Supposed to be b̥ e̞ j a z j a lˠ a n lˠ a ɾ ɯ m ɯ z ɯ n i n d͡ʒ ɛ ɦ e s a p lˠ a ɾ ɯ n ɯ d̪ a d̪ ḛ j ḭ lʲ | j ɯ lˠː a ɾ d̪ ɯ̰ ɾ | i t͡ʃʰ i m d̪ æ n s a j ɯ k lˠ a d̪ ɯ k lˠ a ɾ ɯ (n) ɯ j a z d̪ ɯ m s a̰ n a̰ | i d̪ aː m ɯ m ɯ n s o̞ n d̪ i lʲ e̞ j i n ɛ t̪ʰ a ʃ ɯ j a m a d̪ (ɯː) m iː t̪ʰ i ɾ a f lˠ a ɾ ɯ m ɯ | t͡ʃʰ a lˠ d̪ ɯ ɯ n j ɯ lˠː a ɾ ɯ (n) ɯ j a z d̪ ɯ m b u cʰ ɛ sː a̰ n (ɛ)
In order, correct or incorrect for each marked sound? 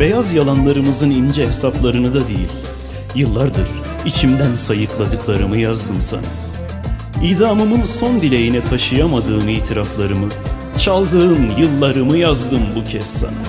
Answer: incorrect: m, correct, incorrect: m, incorrect: a

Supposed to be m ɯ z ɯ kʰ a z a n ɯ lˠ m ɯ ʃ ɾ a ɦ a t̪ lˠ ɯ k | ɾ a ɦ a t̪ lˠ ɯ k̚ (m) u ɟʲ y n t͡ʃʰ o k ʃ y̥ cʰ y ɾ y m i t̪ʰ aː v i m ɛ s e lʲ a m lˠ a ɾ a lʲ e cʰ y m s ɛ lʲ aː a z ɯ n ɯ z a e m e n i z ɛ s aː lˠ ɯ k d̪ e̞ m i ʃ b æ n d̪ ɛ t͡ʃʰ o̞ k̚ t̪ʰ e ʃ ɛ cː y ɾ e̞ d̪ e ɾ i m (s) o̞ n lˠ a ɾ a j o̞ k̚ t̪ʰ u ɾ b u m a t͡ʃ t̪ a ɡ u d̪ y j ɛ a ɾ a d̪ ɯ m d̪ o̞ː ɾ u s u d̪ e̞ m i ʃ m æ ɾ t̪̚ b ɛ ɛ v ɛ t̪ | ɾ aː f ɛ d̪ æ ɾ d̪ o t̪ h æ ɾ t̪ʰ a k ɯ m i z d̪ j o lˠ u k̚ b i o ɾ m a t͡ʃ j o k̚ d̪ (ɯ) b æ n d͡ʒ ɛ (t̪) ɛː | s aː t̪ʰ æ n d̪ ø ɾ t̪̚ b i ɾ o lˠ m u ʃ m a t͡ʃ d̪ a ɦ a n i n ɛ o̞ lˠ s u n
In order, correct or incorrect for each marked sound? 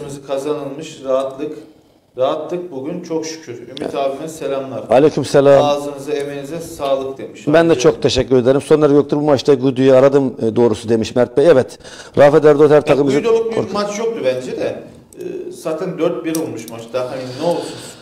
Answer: incorrect: b, correct, incorrect: u, incorrect: d̪

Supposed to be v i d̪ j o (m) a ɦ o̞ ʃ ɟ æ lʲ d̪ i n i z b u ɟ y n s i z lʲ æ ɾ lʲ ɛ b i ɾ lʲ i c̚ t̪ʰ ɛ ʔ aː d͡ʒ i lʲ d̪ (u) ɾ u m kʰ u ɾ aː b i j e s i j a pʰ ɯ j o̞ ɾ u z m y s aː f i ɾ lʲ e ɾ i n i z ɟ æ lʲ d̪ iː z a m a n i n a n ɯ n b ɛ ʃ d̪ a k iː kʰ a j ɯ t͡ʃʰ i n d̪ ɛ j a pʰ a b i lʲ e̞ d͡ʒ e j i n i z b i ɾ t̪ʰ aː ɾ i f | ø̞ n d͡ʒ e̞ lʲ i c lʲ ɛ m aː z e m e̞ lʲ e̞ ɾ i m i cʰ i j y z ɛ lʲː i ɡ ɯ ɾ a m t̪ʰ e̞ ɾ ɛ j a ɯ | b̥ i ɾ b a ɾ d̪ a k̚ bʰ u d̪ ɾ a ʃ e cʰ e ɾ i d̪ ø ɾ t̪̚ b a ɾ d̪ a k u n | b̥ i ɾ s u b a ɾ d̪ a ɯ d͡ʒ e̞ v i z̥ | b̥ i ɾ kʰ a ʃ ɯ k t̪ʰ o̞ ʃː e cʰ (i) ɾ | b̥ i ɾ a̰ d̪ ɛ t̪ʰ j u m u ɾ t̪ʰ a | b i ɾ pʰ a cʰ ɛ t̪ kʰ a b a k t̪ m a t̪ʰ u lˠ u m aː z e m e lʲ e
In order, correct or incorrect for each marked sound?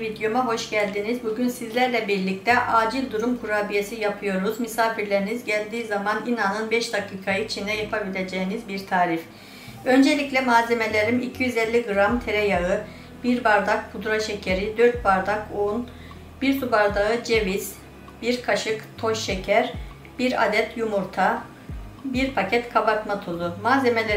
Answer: correct, correct, incorrect: æ

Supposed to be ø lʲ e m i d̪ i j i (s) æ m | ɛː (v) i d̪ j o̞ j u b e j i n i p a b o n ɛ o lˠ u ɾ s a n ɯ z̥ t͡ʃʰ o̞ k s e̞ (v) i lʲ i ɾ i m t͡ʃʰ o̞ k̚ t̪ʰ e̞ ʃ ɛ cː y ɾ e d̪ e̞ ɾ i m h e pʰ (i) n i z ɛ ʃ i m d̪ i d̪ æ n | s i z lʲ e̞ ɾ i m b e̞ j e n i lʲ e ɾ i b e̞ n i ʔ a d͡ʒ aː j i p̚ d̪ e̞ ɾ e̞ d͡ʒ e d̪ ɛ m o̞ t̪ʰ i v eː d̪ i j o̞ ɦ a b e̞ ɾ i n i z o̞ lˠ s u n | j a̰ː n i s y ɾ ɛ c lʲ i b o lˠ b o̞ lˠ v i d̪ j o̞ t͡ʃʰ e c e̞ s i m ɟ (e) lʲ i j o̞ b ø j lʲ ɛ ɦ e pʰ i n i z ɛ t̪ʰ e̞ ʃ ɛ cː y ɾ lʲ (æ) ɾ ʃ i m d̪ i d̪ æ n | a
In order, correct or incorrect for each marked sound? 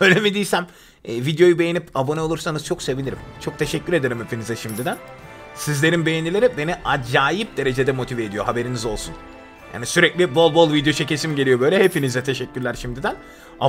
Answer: correct, correct, correct, correct, correct, correct

